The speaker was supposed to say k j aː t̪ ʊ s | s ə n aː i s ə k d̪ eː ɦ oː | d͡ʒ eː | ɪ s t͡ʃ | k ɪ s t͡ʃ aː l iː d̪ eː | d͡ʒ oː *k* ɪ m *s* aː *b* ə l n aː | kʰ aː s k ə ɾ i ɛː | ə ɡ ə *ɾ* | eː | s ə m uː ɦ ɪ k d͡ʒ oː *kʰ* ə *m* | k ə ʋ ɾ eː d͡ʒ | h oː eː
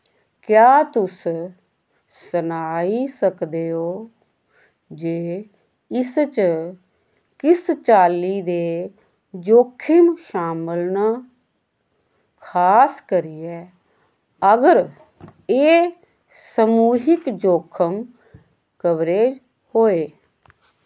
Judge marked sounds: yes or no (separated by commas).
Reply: no, no, no, yes, yes, yes